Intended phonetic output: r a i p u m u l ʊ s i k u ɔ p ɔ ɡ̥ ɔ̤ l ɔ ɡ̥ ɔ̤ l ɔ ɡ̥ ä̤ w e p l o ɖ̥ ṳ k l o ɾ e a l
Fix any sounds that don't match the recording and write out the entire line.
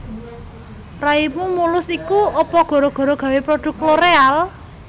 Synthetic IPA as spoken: r a i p u m u l ʊ s i k u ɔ p ɔ ɡ̥ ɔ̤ ɾ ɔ ɡ̥ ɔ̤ ɾ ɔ ɡ̥ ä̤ w e p ɾ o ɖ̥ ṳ k l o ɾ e a l